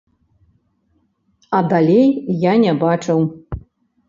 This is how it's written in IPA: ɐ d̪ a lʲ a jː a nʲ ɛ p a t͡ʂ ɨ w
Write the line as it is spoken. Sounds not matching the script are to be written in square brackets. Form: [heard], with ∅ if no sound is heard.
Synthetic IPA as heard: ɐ d̪ a lʲ [e] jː a nʲ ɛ [b] a t͡ʂ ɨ w